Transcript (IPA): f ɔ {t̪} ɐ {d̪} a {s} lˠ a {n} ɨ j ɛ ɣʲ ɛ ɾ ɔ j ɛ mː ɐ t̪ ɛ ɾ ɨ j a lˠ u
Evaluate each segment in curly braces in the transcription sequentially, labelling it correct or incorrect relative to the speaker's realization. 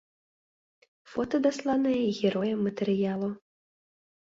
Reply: correct, correct, correct, correct

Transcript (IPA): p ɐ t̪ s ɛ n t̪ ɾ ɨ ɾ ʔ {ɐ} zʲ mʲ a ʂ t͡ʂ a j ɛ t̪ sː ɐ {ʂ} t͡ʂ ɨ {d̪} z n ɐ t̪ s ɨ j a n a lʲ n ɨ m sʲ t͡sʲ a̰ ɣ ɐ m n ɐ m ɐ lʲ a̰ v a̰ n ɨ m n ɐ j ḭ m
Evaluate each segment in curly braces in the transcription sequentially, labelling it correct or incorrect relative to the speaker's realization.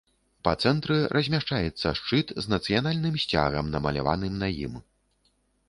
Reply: correct, correct, incorrect: t̪

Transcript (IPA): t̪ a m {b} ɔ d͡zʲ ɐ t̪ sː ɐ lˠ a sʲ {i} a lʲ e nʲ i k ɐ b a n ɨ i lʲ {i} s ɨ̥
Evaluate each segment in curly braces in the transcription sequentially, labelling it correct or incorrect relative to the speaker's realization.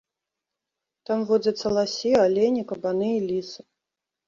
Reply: incorrect: v, correct, correct

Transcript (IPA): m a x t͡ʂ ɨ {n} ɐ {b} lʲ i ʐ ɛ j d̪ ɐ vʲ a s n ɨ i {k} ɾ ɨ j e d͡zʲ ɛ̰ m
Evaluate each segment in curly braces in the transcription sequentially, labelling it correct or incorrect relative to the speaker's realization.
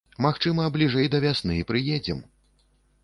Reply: incorrect: m, correct, incorrect: p

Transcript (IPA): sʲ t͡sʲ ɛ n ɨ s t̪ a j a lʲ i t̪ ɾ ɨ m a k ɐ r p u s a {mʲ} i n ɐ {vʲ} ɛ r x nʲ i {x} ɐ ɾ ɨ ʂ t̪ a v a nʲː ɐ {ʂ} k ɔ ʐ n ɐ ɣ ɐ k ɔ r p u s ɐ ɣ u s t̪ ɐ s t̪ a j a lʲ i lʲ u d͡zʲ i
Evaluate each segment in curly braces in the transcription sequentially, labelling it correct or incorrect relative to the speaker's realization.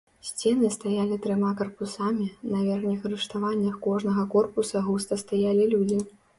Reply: correct, correct, correct, incorrect: x

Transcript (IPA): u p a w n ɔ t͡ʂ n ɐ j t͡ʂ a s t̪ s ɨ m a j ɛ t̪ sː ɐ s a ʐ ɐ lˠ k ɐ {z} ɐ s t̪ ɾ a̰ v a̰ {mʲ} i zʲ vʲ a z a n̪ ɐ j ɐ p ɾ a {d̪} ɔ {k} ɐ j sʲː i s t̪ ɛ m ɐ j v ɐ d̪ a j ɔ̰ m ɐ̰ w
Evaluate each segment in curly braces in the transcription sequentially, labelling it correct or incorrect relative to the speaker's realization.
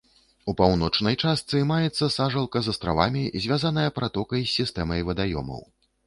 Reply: correct, correct, incorrect: t̪, correct

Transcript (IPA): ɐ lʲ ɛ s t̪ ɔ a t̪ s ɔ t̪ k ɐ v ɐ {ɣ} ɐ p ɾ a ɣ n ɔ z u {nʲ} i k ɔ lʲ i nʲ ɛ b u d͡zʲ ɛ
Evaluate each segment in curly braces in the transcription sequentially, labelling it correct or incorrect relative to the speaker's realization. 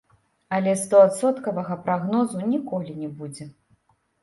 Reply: correct, correct

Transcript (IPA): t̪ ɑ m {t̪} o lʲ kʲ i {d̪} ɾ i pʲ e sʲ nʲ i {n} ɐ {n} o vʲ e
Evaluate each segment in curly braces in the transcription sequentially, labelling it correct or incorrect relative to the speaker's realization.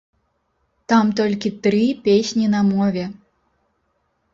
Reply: correct, incorrect: t̪, correct, incorrect: m

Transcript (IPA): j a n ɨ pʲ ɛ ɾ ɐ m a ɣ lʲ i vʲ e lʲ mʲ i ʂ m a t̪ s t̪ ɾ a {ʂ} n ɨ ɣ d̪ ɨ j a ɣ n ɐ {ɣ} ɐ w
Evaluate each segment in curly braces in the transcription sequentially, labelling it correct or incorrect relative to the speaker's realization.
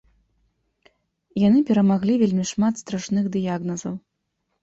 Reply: correct, incorrect: z

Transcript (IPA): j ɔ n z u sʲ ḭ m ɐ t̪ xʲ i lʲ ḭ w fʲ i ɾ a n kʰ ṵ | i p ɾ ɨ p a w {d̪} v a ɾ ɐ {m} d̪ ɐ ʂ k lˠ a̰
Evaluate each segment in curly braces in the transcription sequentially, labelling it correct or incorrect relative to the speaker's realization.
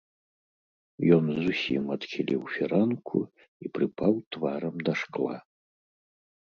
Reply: incorrect: t̪, correct

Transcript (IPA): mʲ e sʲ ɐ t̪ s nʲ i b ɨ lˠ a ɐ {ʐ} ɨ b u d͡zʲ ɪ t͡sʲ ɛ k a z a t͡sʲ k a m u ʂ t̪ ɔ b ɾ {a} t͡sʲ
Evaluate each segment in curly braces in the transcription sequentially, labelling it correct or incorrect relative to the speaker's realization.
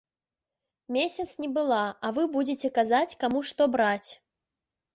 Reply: incorrect: v, correct

